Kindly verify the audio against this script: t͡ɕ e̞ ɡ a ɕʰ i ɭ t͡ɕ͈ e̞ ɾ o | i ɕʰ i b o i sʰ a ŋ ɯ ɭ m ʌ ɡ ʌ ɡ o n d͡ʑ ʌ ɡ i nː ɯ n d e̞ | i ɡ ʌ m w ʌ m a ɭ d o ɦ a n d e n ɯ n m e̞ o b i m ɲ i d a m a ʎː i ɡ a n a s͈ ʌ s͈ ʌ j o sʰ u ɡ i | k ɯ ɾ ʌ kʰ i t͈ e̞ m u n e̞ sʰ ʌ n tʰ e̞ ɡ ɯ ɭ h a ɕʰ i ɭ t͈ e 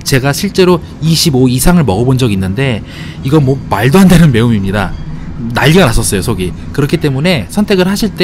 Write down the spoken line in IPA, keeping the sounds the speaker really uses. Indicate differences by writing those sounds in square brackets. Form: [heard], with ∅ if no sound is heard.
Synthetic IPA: t͡ɕ e̞ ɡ a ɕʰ i ɭ t͡ɕ͈ e̞ ɾ o | i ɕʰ i b o i sʰ a ŋ ɯ ɭ m ʌ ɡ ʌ [b] o n d͡ʑ ʌ ɡ i nː ɯ n d e̞ | i ɡ ʌ m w ʌ m a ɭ d o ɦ a n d e n ɯ n m e̞ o [m] i m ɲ i d a [n] a ʎː i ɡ a n a s͈ ʌ s͈ ʌ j o sʰ [o] ɡ i | k ɯ ɾ ʌ kʰ i t͈ e̞ m u n e̞ sʰ ʌ n tʰ e̞ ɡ ɯ ɭ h a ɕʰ i ɭ t͈ e